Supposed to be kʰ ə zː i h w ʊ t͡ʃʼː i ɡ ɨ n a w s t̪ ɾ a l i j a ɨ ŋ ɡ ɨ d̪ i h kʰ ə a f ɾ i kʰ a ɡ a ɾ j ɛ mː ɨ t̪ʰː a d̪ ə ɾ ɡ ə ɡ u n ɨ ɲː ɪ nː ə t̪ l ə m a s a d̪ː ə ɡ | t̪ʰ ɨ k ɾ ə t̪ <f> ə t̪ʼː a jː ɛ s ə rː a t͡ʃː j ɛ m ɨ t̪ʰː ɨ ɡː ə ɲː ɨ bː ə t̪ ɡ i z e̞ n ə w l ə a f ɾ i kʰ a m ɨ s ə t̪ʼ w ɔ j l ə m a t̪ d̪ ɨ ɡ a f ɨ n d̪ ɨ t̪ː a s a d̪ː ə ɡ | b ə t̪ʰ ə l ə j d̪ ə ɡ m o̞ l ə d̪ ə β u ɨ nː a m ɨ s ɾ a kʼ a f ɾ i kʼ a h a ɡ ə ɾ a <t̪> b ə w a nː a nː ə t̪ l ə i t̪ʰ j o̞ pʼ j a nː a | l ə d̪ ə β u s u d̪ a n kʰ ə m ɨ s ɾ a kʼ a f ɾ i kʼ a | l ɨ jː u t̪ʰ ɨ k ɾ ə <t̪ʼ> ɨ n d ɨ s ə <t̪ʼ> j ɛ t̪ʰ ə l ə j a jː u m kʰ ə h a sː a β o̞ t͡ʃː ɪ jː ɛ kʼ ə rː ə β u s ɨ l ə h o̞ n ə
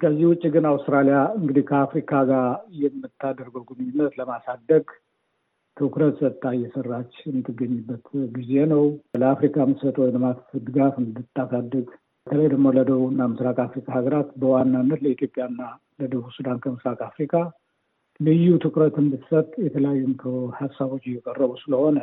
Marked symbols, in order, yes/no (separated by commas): no, yes, no, yes